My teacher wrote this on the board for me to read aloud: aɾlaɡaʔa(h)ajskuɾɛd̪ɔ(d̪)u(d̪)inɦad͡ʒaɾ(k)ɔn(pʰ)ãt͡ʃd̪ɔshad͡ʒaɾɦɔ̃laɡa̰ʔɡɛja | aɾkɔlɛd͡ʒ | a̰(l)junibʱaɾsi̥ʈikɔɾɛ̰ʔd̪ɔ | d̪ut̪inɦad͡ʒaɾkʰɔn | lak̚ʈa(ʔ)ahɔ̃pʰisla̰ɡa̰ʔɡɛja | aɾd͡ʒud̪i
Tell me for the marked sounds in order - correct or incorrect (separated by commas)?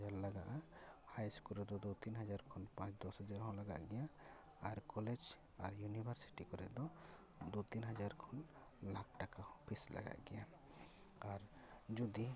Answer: correct, correct, incorrect, incorrect, incorrect, incorrect, incorrect